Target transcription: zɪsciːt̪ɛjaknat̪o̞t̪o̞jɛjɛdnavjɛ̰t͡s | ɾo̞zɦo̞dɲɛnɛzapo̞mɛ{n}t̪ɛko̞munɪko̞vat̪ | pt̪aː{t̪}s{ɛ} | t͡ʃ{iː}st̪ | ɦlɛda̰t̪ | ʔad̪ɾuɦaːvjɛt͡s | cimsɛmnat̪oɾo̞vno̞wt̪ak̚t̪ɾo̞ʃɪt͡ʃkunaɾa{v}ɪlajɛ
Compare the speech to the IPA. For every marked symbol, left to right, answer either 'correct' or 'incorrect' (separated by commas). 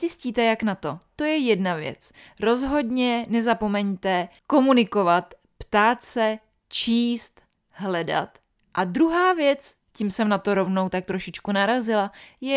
incorrect, correct, correct, correct, incorrect